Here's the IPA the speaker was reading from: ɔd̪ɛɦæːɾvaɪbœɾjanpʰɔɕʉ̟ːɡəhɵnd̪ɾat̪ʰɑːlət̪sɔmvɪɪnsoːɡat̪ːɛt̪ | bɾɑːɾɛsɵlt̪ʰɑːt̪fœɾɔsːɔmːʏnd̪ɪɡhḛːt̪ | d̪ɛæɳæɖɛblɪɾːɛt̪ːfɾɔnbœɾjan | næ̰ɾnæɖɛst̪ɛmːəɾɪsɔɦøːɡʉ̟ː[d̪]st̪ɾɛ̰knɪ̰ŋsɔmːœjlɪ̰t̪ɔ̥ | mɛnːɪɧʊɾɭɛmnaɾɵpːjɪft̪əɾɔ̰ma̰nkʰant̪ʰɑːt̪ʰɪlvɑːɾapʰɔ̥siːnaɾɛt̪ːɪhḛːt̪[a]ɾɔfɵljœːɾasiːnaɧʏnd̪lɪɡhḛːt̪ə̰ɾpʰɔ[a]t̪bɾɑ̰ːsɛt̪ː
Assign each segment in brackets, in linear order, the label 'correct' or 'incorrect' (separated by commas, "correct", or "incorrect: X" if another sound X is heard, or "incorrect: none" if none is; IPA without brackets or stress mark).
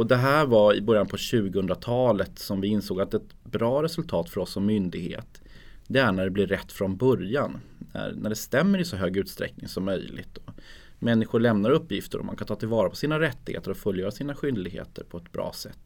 incorrect: t̪, incorrect: ə, incorrect: ɛ